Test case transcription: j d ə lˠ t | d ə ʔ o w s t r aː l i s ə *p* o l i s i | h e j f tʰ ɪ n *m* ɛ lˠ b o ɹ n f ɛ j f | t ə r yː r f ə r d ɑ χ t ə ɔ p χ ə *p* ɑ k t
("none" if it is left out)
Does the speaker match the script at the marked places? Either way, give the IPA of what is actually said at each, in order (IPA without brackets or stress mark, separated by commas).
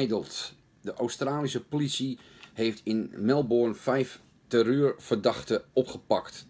p, m, p